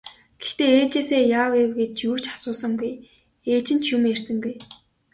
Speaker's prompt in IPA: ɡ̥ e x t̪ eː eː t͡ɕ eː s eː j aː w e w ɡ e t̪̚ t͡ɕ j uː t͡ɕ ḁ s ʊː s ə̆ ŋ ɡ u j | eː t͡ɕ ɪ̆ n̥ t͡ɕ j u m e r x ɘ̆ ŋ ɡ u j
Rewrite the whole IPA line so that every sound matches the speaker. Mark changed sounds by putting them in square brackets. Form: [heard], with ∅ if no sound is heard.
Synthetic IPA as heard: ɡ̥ e x t̪ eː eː t͡ɕ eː s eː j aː w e w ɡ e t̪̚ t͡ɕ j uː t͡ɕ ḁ s ʊː s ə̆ ŋ ɡ u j | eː t͡ɕ ɪ̆ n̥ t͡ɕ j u m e r [s] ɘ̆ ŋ ɡ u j